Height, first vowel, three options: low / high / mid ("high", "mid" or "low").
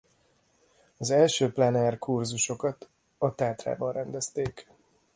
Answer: low